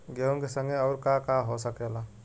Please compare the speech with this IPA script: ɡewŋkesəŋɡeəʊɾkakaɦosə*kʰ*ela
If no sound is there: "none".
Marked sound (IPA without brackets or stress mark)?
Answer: k